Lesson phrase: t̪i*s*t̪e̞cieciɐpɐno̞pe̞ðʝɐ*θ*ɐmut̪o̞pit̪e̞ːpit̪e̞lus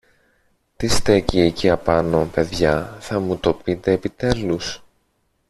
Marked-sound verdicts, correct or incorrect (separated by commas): correct, correct